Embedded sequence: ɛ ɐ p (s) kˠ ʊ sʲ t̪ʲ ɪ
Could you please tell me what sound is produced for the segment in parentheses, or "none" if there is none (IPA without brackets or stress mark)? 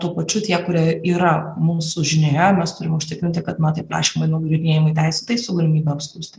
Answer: s